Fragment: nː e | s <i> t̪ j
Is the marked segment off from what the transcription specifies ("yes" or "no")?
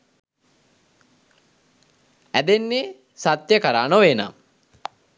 yes